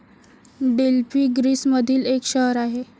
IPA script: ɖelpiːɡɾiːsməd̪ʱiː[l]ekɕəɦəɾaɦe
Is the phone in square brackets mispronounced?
no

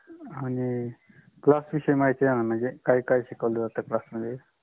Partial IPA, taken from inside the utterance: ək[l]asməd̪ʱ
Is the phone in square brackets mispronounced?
no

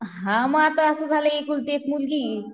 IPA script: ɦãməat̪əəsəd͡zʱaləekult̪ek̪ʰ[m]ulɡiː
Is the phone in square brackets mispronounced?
no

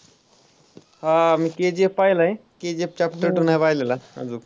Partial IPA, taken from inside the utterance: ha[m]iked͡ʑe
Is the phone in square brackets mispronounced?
no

